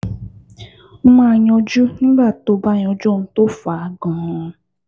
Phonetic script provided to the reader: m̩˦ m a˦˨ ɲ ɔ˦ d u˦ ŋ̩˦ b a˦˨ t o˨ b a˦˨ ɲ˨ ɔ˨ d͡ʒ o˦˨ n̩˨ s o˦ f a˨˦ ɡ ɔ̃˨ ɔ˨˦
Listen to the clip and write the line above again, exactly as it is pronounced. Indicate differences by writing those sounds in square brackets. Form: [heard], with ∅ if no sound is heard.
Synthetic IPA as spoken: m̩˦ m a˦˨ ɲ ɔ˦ [d͡ʒ] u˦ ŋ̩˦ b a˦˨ t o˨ b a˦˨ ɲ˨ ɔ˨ d͡ʒ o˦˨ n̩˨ [t] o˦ f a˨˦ ɡ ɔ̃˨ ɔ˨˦